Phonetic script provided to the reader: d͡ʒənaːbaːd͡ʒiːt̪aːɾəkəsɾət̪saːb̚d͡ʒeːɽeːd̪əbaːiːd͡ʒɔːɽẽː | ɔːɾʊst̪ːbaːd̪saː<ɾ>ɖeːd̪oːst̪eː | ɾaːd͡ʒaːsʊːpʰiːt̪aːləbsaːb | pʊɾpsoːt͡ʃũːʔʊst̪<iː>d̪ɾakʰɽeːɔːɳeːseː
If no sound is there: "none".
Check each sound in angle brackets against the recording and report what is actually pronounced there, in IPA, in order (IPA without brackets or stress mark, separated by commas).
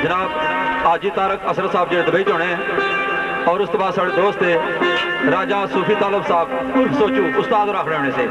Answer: none, aː